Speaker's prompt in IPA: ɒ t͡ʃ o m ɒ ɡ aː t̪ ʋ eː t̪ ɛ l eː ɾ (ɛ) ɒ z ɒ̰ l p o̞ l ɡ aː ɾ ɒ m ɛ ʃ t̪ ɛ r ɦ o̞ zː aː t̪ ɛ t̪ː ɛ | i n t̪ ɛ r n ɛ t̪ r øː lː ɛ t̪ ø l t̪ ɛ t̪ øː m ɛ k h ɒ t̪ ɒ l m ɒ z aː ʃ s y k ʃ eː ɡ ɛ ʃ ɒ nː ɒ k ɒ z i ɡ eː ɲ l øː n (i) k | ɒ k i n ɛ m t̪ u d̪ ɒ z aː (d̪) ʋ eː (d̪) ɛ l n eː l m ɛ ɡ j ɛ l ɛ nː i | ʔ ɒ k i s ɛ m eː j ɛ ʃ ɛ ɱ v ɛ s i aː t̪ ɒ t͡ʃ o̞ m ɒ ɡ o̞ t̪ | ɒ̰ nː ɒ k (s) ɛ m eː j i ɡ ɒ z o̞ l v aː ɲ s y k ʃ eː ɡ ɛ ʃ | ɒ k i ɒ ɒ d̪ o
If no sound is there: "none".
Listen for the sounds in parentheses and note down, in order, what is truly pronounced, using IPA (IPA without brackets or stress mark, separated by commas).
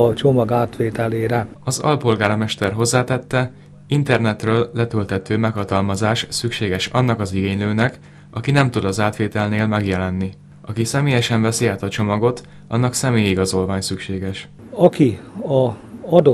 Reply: ɛ, ɛ, t̪, t̪, s